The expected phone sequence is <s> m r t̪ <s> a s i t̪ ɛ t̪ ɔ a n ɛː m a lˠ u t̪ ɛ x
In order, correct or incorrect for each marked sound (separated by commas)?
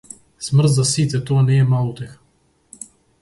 correct, incorrect